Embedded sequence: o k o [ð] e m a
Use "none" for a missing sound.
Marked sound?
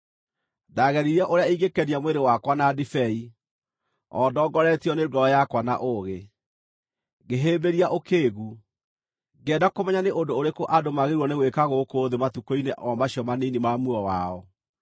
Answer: ð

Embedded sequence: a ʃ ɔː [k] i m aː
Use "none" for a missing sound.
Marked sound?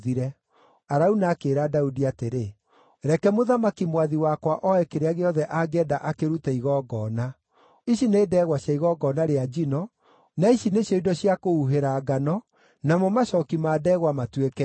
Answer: k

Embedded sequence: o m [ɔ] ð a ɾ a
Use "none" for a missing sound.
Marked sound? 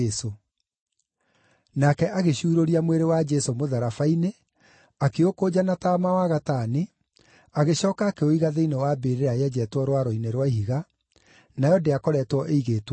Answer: o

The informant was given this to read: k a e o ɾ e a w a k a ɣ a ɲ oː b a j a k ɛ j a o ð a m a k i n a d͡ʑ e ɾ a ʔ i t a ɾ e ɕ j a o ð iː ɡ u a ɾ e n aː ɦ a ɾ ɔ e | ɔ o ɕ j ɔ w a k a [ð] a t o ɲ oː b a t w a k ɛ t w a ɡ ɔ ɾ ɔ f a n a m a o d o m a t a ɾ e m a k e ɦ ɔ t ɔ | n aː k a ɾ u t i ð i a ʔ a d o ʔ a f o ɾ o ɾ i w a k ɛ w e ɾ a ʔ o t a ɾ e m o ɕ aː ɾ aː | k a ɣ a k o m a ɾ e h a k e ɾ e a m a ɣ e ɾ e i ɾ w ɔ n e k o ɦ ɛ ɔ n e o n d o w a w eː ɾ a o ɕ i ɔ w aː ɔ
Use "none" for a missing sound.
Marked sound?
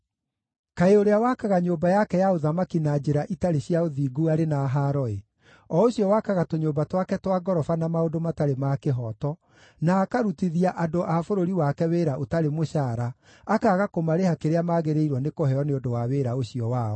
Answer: ɣ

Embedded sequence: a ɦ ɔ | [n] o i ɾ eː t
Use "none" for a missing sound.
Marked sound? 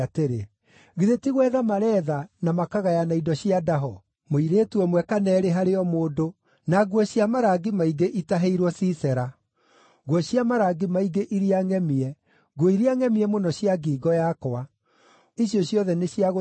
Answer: m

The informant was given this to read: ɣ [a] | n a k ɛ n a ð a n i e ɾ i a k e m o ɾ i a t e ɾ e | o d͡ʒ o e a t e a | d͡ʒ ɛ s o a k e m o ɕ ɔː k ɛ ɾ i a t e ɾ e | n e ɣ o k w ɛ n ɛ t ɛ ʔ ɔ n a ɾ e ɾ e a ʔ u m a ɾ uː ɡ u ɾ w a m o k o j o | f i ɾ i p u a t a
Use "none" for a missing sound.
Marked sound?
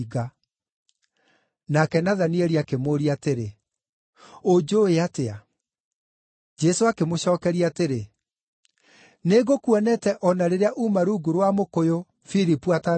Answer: a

